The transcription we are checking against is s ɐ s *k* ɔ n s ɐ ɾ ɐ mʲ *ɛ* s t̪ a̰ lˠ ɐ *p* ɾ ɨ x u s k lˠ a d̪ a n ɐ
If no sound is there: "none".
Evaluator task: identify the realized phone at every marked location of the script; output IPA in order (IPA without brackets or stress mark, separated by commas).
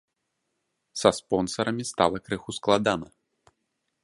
p, i, k